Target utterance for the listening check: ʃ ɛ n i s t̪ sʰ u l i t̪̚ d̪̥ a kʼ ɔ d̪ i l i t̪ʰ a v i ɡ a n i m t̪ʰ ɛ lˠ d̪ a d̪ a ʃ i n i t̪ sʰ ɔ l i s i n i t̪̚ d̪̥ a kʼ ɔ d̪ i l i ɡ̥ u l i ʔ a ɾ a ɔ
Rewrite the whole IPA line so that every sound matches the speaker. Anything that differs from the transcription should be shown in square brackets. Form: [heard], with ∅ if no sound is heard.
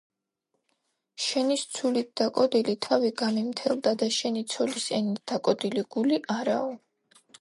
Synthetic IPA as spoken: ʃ ɛ n i s t̪ sʰ u l i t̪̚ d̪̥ a kʼ ɔ d̪ i l i t̪ʰ a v i ɡ a [m] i m t̪ʰ ɛ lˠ d̪ a d̪ a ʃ [ɛ] n i t̪ sʰ ɔ l i s [ɛ] n i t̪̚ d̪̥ a kʼ ɔ d̪ i l i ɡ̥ u l i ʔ a ɾ a ɔ